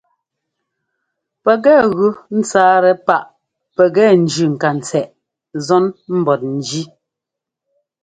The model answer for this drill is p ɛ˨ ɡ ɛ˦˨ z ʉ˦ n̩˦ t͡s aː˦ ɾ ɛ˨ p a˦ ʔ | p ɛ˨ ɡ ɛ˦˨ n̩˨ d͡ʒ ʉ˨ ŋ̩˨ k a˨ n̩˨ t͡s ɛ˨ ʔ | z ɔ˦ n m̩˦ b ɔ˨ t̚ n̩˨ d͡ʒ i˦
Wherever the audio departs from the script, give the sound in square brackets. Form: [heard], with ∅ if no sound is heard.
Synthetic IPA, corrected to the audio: p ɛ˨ ɡ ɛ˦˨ [ɣ] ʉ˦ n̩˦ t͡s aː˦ ɾ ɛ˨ p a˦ ʔ | p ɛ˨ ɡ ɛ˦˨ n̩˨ d͡ʒ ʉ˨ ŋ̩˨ k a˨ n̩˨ t͡s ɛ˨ ʔ | z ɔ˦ n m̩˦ b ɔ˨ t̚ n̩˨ d͡ʒ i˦